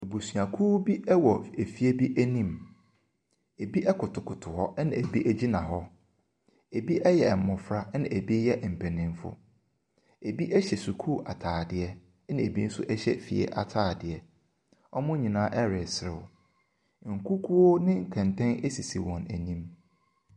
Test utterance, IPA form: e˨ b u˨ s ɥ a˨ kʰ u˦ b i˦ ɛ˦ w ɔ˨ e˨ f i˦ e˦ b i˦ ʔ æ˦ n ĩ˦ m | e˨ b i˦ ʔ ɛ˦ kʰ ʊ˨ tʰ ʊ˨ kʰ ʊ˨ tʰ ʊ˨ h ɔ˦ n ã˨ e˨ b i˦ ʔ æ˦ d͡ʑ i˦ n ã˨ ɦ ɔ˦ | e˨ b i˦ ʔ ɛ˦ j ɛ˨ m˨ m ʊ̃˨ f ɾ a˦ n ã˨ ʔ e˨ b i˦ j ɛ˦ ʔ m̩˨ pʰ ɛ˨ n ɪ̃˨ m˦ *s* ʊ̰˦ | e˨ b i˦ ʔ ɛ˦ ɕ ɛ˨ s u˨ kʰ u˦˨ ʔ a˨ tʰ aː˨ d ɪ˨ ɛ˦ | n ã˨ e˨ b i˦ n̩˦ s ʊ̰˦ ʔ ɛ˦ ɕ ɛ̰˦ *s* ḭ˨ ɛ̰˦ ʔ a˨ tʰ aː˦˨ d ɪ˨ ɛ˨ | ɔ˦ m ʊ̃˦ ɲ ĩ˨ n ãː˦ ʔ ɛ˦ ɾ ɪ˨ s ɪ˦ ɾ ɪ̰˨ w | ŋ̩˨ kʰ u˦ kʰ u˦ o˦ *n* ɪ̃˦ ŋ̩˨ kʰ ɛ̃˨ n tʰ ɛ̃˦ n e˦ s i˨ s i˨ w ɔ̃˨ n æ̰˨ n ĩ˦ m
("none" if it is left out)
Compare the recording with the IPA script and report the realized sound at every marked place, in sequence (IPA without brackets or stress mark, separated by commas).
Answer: f, f, n